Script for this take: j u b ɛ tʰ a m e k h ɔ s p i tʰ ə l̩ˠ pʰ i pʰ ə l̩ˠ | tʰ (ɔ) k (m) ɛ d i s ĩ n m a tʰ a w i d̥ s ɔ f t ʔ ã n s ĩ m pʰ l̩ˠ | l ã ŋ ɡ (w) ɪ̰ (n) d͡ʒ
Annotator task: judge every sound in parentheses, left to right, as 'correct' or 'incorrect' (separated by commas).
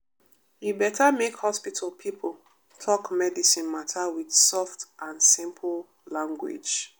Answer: correct, correct, correct, incorrect